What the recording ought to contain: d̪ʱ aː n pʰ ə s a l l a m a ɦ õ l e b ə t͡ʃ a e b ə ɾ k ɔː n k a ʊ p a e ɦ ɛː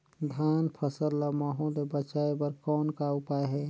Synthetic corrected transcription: d̪ʱ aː n pʰ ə s ə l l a m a ɦ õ l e b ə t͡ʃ a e b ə ɾ k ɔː n k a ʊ p a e ɦ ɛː